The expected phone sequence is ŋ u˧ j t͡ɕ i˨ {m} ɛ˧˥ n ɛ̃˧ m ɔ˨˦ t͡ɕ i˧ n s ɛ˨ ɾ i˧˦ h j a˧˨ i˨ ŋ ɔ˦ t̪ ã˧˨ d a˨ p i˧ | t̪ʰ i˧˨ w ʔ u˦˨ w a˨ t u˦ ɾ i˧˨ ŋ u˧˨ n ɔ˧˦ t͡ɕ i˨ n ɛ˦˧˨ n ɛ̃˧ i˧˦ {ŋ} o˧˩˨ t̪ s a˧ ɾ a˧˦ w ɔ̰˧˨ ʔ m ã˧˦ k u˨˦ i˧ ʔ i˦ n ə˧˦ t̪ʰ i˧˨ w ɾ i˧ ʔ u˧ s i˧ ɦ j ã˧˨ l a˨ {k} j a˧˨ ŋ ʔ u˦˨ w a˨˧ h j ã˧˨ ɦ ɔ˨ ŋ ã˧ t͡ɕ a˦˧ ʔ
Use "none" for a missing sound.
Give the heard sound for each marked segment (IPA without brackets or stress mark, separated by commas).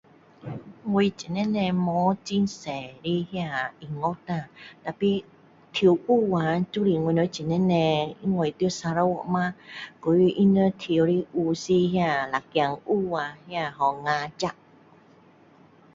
n, ŋ, k